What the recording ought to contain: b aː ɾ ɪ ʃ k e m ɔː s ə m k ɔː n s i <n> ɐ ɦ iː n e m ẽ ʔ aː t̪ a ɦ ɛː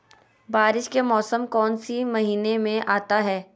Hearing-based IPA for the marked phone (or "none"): m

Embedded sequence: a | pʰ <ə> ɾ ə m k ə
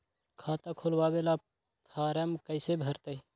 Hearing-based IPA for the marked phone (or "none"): a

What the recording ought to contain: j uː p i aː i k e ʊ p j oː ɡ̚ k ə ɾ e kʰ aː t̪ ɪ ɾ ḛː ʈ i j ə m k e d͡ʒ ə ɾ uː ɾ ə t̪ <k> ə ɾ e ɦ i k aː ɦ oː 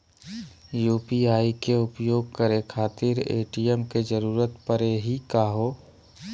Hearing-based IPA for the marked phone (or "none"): p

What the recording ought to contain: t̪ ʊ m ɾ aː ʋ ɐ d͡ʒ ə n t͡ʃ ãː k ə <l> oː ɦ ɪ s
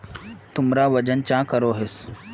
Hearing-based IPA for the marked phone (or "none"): ɾ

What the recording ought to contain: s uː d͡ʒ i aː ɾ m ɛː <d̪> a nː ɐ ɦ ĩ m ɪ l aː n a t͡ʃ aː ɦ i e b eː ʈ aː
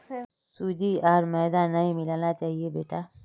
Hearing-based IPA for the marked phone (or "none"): d̪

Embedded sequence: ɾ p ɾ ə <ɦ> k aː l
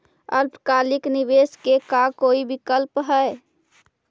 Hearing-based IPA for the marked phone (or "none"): none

